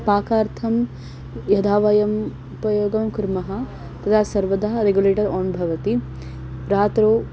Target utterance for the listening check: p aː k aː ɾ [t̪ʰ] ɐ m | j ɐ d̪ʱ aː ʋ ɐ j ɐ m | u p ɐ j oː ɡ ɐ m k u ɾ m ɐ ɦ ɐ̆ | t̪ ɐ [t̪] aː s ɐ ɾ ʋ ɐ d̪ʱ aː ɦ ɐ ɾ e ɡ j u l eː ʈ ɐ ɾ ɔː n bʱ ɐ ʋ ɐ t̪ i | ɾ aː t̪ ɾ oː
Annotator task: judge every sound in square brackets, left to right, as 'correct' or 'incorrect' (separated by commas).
correct, incorrect